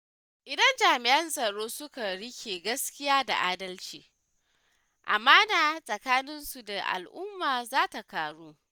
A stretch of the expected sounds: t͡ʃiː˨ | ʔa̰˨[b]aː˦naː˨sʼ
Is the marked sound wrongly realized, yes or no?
yes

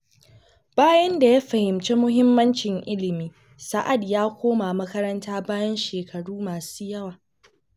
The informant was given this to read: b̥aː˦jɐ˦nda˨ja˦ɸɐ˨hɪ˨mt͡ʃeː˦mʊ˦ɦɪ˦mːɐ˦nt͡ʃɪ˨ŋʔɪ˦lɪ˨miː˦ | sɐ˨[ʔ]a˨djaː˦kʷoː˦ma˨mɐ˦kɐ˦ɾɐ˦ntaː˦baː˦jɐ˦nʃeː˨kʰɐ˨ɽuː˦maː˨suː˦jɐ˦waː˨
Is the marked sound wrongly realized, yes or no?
no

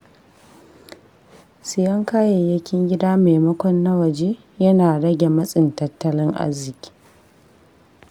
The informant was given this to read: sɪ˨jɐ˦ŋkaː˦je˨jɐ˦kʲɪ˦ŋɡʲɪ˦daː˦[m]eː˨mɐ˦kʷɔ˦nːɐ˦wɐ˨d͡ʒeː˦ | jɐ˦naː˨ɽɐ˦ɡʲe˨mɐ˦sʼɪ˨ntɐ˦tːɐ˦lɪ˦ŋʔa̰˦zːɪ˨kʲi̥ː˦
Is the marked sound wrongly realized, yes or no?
no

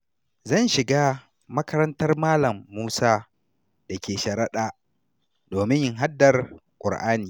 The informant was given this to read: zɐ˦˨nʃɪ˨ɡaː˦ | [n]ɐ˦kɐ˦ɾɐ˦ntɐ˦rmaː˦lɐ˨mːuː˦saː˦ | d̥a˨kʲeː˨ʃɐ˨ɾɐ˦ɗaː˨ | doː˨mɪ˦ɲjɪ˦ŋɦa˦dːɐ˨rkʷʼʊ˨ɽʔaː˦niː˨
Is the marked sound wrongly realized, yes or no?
yes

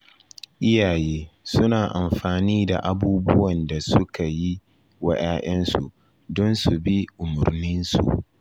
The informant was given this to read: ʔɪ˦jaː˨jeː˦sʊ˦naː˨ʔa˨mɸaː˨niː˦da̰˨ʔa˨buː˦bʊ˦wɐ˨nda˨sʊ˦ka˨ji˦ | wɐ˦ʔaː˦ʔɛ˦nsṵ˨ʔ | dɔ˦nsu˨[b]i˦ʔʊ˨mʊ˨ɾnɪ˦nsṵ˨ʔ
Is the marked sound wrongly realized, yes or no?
no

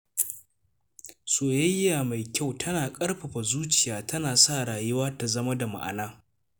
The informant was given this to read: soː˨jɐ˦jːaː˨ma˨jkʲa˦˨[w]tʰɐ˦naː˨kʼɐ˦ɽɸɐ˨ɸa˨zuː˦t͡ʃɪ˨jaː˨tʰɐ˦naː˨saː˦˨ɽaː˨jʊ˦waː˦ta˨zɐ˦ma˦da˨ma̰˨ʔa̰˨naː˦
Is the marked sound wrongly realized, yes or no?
no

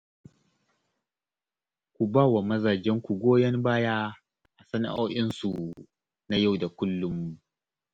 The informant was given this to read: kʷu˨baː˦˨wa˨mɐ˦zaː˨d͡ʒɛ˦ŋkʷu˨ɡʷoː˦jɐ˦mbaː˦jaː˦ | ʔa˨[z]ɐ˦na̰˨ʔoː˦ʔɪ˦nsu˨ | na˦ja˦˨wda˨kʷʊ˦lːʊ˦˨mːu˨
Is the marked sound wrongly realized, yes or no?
yes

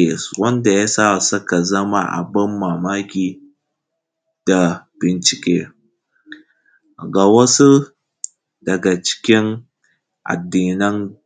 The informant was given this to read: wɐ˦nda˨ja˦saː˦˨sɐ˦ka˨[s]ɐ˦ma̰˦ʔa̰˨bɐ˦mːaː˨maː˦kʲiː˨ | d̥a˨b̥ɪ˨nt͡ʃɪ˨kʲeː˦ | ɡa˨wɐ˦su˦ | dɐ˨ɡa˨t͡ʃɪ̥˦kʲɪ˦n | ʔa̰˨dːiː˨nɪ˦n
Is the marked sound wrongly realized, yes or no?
yes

